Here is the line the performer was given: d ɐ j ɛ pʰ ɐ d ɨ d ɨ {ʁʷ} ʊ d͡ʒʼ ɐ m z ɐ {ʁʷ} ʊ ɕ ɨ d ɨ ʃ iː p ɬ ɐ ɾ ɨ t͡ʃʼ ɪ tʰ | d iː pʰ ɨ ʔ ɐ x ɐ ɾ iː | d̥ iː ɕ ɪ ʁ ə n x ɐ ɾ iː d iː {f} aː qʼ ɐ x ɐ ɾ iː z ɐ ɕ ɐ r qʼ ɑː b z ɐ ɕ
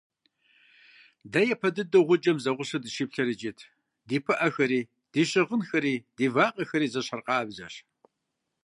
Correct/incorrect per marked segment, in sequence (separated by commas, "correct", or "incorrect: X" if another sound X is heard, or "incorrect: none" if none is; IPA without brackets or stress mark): correct, correct, incorrect: v